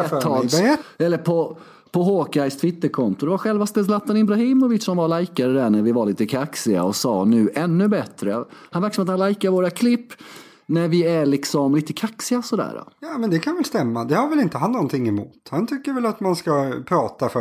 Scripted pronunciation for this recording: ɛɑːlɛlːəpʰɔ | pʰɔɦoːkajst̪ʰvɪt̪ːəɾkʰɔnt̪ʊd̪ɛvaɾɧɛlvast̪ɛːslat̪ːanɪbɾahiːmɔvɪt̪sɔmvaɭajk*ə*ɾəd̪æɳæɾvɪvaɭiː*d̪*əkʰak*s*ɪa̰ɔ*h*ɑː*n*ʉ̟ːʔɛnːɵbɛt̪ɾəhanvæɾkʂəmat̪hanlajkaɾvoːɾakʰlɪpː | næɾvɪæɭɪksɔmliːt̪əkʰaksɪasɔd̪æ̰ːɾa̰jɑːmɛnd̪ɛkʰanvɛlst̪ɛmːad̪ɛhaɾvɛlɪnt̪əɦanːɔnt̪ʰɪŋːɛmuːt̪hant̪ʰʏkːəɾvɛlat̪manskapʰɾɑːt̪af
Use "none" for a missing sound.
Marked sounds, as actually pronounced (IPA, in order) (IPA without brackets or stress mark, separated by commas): a, t̪, s, s, n